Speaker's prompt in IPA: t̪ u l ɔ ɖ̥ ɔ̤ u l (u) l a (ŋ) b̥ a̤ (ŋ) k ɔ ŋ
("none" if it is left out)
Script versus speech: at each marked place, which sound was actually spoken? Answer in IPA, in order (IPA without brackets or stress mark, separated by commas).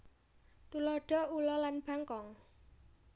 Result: ɔ, n, ŋ